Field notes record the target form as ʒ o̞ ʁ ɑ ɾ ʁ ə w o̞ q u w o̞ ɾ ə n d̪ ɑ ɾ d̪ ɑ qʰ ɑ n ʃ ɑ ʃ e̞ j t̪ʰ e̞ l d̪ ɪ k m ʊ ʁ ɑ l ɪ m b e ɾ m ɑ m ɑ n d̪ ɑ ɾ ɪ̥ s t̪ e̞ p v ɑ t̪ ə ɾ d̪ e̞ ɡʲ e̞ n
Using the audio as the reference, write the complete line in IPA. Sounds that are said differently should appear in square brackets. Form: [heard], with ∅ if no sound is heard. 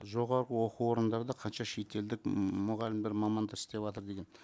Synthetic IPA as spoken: ʒ o̞ ʁ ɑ ɾ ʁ ə w o̞ q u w o̞ ɾ ə n d̪ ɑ ɾ d̪ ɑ qʰ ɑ n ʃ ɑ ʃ e̞ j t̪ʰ e̞ l d̪ ɪ k m ʊ ʁ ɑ l ɪ m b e ɾ m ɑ m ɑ n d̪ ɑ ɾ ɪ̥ s t̪ e̞ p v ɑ t̪ ə ɾ d̪ e̞ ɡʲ e̞ n